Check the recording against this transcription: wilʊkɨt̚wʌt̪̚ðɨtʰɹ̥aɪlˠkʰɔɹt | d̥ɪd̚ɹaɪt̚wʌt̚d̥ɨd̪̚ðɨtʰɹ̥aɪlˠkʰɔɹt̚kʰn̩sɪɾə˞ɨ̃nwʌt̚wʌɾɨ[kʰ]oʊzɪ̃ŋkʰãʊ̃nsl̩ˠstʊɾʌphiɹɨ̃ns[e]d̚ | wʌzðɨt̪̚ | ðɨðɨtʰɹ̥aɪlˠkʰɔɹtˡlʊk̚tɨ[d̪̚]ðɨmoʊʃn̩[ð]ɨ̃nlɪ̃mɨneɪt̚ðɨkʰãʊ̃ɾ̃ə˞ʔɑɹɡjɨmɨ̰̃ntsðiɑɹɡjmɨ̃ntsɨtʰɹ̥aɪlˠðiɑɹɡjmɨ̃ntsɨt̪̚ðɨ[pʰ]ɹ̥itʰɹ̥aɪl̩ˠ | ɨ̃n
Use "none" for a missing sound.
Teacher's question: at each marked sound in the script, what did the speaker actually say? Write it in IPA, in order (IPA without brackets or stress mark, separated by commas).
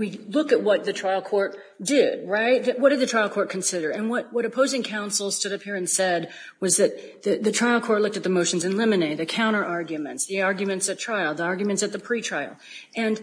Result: pʰ, ɛ, t̪̚, z, pʰ